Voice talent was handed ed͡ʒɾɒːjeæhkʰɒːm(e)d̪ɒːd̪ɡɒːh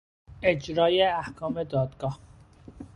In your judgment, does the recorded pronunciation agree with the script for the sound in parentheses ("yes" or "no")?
yes